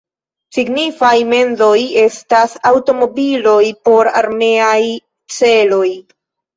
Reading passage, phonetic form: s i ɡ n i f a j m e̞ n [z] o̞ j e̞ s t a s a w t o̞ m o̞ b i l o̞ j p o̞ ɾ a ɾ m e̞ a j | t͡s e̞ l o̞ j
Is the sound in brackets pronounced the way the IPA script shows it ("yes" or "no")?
yes